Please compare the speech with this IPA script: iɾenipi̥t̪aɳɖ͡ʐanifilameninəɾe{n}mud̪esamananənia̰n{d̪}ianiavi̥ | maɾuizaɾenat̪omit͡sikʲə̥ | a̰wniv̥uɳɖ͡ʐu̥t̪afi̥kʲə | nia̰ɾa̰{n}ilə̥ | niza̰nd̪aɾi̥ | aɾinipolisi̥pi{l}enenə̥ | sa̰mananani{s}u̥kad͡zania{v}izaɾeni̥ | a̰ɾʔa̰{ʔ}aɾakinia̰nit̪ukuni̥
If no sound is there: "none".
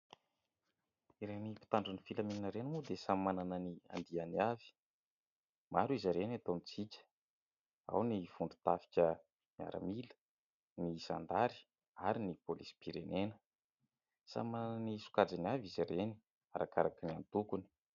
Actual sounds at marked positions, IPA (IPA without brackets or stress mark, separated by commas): n, d̪, m, ɾ, s, v, k